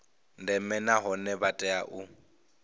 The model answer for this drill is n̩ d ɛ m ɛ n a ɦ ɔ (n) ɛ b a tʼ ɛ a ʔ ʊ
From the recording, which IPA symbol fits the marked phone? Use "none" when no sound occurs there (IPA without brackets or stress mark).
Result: n